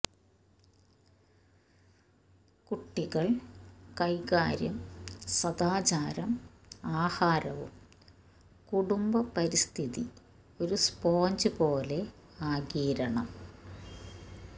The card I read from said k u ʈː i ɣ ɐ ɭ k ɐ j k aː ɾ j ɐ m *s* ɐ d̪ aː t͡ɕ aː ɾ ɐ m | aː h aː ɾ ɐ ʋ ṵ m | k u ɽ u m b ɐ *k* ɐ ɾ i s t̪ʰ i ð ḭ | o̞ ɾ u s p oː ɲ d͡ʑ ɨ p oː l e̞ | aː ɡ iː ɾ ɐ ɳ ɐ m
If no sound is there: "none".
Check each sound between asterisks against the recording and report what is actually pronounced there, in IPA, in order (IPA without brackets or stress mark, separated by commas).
s, p